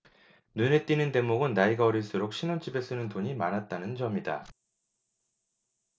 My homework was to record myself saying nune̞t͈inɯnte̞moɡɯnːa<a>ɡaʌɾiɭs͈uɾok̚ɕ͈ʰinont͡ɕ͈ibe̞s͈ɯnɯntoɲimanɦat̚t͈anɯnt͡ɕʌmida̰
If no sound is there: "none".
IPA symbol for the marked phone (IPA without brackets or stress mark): i